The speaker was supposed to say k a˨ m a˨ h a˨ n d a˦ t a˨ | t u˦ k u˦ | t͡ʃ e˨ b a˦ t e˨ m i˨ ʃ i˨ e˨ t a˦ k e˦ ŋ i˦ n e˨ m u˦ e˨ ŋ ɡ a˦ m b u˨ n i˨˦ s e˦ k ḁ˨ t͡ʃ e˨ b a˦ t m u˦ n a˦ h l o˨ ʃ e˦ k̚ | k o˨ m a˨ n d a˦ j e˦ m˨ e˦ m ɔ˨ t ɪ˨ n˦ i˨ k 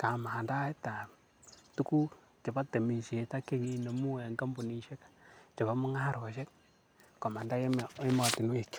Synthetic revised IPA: k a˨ m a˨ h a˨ n d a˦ t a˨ | t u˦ k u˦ | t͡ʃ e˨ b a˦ t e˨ m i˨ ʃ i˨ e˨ t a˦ k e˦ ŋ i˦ n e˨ m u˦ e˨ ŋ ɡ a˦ m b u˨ n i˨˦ ʃ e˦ k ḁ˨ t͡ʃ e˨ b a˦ m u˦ ŋ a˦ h ɾ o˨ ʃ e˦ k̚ | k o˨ m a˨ n d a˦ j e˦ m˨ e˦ m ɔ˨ t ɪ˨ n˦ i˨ k